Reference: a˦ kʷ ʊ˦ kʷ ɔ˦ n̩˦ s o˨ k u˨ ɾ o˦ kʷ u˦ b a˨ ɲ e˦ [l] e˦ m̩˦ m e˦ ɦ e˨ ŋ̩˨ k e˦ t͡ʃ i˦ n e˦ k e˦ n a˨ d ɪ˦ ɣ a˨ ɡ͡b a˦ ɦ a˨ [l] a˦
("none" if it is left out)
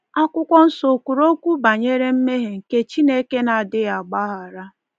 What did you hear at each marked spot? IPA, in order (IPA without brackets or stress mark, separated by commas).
ɾ, ɾ